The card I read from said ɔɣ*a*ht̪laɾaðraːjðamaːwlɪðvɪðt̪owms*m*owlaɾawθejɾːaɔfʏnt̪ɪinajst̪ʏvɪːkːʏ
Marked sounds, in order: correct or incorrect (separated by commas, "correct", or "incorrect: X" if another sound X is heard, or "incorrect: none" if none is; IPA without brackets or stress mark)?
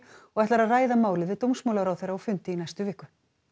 incorrect: ɛ, correct